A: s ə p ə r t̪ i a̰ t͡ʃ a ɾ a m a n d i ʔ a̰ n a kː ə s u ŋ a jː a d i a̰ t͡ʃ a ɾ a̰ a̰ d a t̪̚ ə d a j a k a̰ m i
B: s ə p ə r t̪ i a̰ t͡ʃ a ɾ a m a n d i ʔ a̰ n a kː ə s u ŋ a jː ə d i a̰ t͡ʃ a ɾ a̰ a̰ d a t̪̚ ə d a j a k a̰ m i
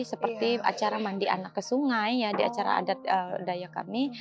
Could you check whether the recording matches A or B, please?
A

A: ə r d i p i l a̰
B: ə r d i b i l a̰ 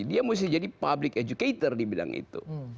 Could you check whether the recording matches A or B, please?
B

